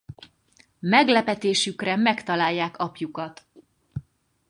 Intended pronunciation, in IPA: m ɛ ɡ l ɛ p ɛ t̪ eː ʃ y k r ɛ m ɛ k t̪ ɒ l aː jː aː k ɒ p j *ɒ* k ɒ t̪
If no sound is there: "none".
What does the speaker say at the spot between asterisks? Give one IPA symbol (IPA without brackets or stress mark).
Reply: u